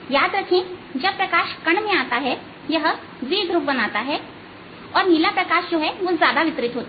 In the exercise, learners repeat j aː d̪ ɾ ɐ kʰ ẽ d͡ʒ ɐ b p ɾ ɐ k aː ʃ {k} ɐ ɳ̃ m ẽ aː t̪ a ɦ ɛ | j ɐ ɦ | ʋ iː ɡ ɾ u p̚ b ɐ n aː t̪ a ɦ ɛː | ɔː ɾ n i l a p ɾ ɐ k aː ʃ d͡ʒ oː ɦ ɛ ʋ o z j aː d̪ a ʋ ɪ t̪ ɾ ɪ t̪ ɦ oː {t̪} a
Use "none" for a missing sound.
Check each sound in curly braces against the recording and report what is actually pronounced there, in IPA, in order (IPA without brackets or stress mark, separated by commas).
k, t̪